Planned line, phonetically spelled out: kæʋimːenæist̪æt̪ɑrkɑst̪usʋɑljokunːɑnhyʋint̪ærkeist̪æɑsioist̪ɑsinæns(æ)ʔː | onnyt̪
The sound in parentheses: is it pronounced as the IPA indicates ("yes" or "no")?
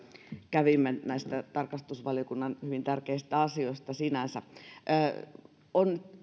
yes